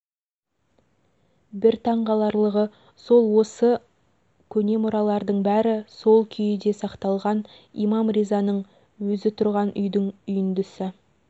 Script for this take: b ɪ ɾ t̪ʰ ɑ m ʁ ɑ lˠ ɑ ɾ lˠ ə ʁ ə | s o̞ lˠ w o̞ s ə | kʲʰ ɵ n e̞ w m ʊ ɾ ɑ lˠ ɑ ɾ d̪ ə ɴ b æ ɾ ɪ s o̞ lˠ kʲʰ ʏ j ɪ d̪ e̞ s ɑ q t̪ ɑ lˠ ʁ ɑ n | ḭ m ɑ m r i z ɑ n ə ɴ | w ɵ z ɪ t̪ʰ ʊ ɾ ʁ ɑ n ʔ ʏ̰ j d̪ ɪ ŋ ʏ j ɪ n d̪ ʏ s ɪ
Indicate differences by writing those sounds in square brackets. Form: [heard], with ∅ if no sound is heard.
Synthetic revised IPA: b ɪ ɾ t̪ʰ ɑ [ɴ] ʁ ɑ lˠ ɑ ɾ lˠ ə ʁ ə | s o̞ lˠ w o̞ s ə | kʲʰ ɵ n e̞ [∅] m ʊ ɾ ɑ lˠ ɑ ɾ d̪ ə ɴ b æ ɾ ɪ s o̞ lˠ kʲʰ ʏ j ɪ d̪ e̞ s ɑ q t̪ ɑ lˠ ʁ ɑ n | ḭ m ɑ m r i z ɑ n ə ɴ | w ɵ z ɪ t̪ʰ ʊ ɾ ʁ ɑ n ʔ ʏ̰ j d̪ ɪ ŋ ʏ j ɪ n d̪ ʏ s ɪ